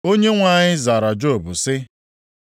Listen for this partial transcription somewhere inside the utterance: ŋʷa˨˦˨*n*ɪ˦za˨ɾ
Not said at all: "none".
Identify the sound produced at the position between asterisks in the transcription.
ɲ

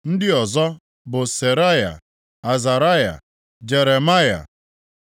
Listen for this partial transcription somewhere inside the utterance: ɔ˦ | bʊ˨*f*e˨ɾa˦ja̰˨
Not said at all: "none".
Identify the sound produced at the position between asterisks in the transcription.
s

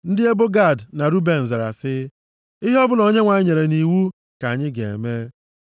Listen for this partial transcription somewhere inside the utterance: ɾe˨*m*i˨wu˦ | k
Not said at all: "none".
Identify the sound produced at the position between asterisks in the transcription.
n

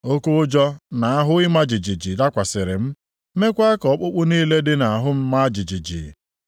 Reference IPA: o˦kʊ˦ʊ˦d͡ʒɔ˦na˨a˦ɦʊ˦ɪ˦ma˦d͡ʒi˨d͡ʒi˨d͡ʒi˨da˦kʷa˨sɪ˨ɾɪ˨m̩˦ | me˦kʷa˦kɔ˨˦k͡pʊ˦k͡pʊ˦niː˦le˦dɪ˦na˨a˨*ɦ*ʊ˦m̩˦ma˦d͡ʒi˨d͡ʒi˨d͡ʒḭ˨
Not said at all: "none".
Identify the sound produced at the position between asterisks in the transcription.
ɦ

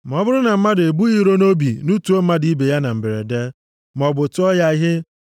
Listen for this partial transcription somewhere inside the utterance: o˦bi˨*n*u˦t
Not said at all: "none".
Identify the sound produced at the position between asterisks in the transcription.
n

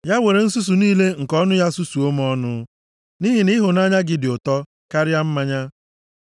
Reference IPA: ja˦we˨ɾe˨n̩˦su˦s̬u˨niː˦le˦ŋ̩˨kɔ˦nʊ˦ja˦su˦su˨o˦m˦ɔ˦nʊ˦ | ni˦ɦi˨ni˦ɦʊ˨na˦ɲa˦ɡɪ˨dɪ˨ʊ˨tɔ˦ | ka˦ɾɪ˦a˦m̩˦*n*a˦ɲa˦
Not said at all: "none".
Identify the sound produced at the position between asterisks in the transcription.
m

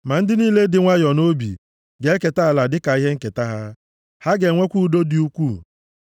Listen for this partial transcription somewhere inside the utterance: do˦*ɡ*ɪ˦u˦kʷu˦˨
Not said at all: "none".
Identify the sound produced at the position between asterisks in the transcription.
d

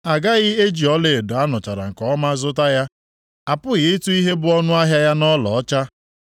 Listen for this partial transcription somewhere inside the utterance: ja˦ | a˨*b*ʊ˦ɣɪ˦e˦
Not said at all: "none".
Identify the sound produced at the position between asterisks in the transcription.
p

